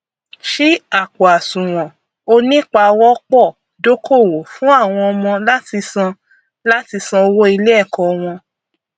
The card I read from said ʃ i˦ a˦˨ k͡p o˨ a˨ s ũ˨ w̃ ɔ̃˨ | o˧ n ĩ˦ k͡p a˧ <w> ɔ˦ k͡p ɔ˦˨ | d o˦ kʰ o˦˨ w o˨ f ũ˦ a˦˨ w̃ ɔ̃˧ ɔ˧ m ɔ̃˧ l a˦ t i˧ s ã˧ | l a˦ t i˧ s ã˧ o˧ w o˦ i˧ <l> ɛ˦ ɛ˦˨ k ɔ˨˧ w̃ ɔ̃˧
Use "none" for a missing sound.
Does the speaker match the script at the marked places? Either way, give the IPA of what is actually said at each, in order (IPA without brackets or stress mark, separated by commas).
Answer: w, l